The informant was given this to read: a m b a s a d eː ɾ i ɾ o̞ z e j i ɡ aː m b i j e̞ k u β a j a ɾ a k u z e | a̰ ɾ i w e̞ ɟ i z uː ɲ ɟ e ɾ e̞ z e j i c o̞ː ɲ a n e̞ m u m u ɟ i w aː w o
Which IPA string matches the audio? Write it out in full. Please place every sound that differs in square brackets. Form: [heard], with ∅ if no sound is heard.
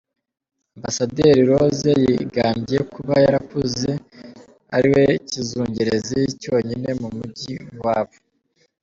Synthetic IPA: a m b a s a d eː ɾ i ɾ o̞ z e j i ɡ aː m b i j e̞ k u β a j a ɾ a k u z e | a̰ ɾ i w e̞ [c] i z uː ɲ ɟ e ɾ e̞ z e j i c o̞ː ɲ [i] n e̞ m u m u ɟ i w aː [β] o

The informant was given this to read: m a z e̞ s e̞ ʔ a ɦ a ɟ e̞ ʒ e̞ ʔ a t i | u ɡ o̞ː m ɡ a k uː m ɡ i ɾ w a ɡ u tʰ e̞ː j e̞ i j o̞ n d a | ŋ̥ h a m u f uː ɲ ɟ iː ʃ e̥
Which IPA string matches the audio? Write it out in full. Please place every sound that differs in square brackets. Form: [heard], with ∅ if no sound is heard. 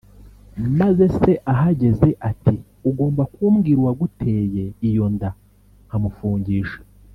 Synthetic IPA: m a z e̞ s e̞ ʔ a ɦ a ɟ e̞ [z] e̞ ʔ a t i | u ɡ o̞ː m [b] a k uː m ɡ i ɾ w a ɡ u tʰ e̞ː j e̞ i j o̞ n d a | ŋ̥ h a m u f uː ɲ ɟ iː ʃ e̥

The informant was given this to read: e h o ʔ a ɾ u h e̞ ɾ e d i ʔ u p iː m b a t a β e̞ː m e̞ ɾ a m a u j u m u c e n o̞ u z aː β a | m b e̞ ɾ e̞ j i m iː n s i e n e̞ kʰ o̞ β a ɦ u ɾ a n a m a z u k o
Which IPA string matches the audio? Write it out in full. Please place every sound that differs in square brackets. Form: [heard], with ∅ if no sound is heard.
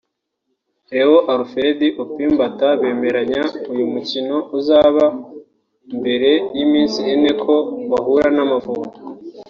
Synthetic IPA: e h o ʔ a ɾ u [f] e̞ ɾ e d i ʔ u p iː m b a t a β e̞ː m e̞ ɾ a [ɲ] a u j u m u c [i] n o̞ u z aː β a | m b e̞ ɾ e̞ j i m iː n s i e n e̞ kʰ o̞ β a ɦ u ɾ a n a m a [v] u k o

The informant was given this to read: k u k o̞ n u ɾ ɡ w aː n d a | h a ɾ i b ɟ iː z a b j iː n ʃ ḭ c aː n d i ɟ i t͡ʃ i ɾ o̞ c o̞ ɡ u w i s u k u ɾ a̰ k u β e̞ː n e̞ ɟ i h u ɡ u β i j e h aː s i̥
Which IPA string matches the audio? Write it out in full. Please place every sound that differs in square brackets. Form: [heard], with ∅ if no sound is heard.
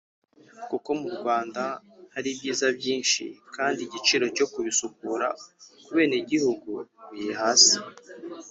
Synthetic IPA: k u k o̞ [m] u ɾ ɡ w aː n d a | h a ɾ i b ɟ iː z a b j iː n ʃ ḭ [k] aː n d i ɟ i t͡ʃ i ɾ o̞ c o̞ [k] u [β] i s u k u ɾ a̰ k u β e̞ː n e̞ ɟ i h u ɡ u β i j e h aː s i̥

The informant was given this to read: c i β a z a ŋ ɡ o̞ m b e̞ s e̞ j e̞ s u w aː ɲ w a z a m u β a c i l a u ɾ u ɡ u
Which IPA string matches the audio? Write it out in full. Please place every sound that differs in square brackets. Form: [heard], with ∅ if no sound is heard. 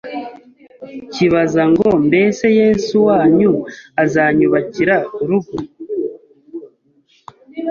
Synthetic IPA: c i β a z a ŋ ɡ o̞ m b e̞ s e̞ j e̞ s u w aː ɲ [u] a z a [ɲ] u β a c i [ɾ] a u ɾ u ɡ u

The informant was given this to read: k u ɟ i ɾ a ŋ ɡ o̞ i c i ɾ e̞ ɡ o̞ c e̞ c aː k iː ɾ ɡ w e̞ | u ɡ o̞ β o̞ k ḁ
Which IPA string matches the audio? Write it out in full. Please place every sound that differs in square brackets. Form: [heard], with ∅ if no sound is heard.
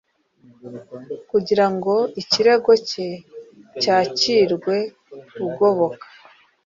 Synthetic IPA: k u ɟ i ɾ a ŋ ɡ o̞ i c i ɾ e̞ ɡ o̞ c e̞ c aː [c] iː ɾ ɡ w e̞ | u ɡ o̞ β o̞ k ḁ

